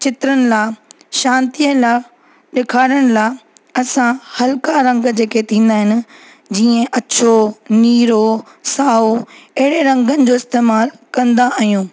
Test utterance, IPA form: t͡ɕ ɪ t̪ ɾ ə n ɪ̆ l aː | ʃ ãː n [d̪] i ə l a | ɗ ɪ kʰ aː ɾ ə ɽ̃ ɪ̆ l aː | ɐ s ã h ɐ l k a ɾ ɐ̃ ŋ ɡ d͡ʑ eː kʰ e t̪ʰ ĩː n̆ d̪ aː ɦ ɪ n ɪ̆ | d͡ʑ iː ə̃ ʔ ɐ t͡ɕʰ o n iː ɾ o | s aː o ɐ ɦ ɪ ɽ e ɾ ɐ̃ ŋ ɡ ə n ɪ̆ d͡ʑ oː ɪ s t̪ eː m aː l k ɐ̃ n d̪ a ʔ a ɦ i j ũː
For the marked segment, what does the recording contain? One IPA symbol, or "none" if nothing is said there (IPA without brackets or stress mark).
t̪